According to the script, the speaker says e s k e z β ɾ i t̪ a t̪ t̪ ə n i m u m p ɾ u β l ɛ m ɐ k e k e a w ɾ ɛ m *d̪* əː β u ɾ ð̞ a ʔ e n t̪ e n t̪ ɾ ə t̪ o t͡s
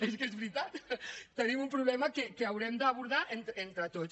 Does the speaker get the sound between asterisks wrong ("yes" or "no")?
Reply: no